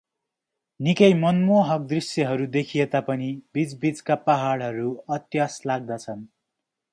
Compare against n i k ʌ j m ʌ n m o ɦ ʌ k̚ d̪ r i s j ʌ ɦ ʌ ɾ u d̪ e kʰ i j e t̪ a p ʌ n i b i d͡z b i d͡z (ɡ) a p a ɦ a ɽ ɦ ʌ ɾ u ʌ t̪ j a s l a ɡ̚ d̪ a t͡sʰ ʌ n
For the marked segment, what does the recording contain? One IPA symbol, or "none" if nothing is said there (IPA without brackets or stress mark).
k